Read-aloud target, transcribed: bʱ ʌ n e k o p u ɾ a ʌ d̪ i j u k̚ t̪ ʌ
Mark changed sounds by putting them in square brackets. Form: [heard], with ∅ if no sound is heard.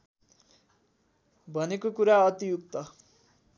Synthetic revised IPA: bʱ ʌ n e k o [k] u ɾ a ʌ [t̪] i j u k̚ t̪ ʌ

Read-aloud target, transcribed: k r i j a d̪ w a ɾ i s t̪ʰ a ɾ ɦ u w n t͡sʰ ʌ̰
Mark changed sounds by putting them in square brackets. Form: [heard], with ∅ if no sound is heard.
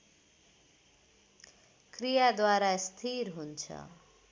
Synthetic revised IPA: k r i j a d̪ w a ɾ [a] s t̪ʰ [i] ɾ ɦ u [∅] n t͡sʰ ʌ̰

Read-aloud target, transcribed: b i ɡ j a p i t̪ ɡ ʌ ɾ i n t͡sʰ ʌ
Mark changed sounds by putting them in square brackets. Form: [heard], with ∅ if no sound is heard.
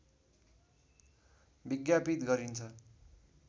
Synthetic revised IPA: b i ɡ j a p i t̪ ɡ ʌ ɾ i n t͡sʰ ʌ

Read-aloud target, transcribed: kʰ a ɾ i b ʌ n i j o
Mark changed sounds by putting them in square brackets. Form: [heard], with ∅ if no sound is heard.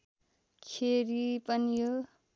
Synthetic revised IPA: kʰ [e] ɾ i [p] ʌ n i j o

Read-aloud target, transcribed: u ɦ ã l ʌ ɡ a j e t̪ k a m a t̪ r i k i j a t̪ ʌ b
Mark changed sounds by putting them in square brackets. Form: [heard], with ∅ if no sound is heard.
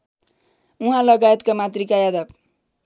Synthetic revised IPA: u ɦ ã l ʌ ɡ a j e t̪ k a m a t̪ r i k [a] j a [d̪] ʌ b

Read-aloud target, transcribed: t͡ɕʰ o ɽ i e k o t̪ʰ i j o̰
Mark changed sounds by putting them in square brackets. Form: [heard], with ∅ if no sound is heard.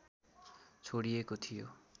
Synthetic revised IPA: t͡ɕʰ o ɽ i e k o t̪ʰ i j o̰

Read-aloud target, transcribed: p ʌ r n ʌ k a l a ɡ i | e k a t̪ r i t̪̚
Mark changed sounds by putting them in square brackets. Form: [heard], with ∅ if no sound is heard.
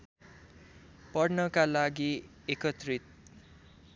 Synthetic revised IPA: p ʌ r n ʌ k a l a ɡ i | e k [ʌ] t̪ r i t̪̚

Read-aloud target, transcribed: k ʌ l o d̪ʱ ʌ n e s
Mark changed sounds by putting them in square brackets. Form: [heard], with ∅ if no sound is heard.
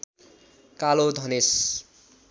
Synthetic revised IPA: k [a] l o d̪ʱ ʌ n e s

